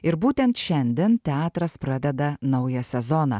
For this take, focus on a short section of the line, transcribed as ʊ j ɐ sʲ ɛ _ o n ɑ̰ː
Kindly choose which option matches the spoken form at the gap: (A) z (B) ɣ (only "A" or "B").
A